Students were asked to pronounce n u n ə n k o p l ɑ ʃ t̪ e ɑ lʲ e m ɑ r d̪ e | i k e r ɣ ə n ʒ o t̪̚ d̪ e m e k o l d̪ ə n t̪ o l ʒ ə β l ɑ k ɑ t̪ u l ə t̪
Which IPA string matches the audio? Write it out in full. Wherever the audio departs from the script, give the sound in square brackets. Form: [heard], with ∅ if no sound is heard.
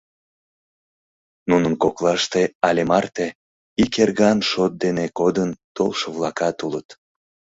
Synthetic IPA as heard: n u n ə n k o [k] l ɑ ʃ t̪ e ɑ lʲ e m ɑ r [t̪] e | i k e r ɣ [ɑ] n [ʃ] o t̪̚ d̪ e [n] e k o [∅] d̪ ə n t̪ o l [ʃ] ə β l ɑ k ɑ t̪ u l ə t̪